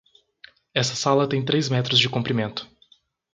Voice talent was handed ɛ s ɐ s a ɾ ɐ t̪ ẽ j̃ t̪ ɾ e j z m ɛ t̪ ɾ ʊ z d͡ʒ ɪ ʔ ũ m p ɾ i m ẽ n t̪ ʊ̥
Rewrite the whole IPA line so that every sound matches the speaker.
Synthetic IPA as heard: ɛ s ɐ s a l ɐ t̪ ẽ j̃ t̪ ɾ e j z m ɛ t̪ ɾ ʊ z d͡ʒ ɪ k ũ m p ɾ i m ẽ n t̪ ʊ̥